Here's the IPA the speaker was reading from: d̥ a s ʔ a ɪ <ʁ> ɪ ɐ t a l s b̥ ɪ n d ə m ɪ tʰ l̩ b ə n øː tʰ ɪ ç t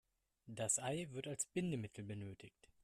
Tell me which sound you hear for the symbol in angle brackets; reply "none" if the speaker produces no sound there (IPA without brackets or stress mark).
v